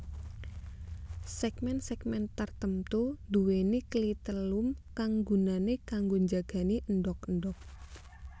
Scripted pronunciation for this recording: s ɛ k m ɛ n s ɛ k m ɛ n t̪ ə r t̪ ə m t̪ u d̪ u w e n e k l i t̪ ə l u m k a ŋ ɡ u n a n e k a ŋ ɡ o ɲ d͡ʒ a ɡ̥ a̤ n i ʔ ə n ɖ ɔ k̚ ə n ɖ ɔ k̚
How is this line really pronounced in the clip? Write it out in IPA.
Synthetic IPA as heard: s ɛ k m ɛ n s ɛ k m ɛ n t̪ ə r t̪ ə m t̪ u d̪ u w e n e k l i t̪ ə l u m k a ŋ ɡ u n a n e k a ŋ ɡ o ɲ d͡ʒ a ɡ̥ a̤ n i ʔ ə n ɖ ɔ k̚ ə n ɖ ɔ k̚